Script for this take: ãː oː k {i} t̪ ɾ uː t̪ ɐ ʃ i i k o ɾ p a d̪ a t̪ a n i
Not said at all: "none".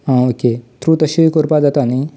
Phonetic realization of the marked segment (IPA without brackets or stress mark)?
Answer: e